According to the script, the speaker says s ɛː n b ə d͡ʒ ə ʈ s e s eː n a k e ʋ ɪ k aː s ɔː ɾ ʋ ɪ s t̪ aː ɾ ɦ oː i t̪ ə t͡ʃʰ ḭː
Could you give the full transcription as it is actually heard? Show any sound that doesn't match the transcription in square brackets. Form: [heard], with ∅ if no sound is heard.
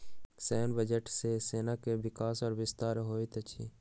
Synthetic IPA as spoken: s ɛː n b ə d͡ʒ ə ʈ s e s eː n a k e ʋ ɪ k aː s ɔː ɾ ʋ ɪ s t̪ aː ɾ ɦ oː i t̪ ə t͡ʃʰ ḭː